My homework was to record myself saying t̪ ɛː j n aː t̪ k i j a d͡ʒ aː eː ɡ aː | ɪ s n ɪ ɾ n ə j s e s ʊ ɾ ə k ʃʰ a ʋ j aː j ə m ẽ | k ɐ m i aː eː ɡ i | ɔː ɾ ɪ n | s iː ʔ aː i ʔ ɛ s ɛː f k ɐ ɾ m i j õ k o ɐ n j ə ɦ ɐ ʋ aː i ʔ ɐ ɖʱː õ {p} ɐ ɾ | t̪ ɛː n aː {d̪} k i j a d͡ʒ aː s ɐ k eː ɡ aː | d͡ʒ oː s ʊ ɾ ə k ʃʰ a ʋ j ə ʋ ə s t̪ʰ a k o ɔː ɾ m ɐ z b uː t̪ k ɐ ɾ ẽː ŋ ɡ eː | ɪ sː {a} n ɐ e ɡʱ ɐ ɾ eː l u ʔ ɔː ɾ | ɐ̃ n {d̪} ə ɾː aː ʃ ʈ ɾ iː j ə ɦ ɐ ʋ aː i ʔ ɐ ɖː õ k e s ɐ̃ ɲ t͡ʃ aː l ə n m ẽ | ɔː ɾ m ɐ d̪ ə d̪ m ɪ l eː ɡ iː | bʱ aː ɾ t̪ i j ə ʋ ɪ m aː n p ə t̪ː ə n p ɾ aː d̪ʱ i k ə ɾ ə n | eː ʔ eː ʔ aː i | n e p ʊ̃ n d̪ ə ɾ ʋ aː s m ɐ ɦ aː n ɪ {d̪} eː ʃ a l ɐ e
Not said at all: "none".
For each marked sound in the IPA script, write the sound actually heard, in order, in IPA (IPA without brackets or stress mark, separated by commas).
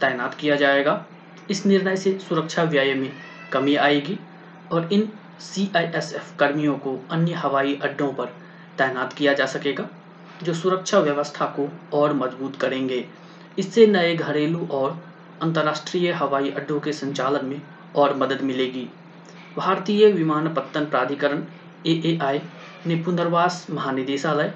p, t̪, e, t̪, d̪